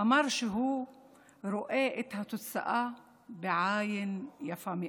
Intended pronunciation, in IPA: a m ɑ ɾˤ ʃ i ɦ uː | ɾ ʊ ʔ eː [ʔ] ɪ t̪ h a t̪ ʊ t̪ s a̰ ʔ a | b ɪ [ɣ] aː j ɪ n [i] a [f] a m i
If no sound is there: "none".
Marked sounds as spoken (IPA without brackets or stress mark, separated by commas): ʔ, ʕ, j, f